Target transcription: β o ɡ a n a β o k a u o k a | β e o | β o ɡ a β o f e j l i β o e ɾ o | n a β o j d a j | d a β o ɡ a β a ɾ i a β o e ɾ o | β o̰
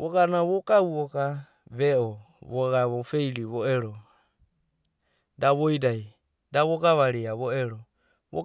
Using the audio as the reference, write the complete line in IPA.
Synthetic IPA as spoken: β o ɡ a n a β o k a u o k a | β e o | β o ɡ a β o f e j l i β o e ɾ o | d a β o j d a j | d a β o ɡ a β a ɾ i a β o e ɾ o | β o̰